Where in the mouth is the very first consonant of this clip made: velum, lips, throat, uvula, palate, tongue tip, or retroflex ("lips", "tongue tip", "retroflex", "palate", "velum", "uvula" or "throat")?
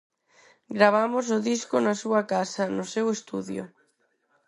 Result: velum